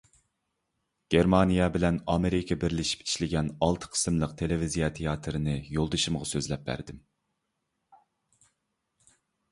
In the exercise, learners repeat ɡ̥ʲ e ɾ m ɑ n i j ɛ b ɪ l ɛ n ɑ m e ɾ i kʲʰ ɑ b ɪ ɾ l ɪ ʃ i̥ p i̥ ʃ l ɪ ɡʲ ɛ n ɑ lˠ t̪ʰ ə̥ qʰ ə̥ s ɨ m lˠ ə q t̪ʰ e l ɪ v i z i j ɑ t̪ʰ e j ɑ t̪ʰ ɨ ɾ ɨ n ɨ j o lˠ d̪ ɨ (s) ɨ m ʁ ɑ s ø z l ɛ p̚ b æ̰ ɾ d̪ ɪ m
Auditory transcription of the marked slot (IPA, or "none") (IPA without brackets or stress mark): ʃ